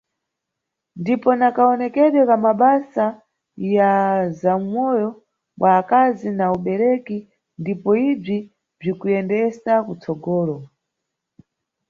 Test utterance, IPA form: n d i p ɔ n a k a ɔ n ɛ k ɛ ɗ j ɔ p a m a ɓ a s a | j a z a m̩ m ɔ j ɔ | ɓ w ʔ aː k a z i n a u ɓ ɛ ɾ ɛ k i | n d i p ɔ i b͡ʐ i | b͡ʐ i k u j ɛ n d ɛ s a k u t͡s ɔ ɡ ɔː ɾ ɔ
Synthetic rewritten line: n d i p ɔ n a k a ɔ n ɛ k ɛ ɗ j ɔ k a m a ɓ a s a | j a z a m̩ m ɔ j ɔ | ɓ w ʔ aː k a z i n a u ɓ ɛ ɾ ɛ k i | n d i p ɔ i b͡ʐ i | b͡ʐ i k u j ɛ n d ɛ s a k u t͡s ɔ ɡ ɔː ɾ ɔ